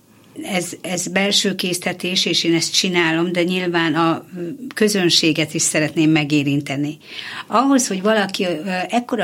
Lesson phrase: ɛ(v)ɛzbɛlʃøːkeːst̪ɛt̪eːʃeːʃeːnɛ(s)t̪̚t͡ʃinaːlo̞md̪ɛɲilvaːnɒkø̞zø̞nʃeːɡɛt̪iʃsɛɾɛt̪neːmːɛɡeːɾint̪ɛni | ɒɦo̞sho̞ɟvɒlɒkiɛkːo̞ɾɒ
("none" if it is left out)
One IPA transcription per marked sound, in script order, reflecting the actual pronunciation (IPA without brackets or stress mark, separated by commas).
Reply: z, s